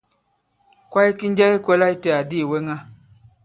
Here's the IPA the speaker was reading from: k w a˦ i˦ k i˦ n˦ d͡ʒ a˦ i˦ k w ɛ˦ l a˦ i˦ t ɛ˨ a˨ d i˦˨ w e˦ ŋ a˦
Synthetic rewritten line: k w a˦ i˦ k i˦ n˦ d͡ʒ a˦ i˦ k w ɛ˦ l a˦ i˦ t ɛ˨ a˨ d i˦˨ w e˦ ŋ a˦